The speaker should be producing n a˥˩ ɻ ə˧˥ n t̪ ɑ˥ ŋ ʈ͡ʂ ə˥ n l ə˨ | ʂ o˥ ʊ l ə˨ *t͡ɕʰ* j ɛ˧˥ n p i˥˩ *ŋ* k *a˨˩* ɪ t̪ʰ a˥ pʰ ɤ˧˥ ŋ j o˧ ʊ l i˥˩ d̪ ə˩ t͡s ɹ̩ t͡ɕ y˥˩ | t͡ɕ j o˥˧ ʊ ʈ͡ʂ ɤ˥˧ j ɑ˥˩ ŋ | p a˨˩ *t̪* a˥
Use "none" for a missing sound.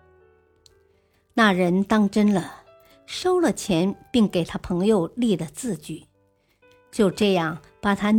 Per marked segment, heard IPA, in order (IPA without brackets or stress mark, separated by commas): t͡ɕʰ, ŋ, e˨˩, t̪ʰ